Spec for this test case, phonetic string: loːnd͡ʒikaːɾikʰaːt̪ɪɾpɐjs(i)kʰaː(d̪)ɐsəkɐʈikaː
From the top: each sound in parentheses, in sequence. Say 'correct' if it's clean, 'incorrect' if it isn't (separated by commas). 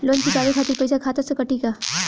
incorrect, incorrect